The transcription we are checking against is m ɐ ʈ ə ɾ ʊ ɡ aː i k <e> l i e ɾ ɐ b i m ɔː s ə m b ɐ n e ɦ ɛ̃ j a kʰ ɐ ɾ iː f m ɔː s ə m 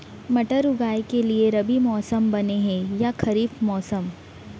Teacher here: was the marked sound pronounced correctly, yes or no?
yes